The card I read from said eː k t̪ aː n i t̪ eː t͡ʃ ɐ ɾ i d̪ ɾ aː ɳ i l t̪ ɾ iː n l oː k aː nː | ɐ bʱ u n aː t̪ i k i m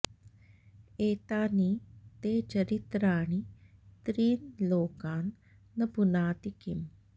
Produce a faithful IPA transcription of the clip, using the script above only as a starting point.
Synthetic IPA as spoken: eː t̪ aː n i t̪ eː t͡ʃ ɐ ɾ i t̪ ɾ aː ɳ i t̪ ɾ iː n l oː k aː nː | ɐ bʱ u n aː t̪ i k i m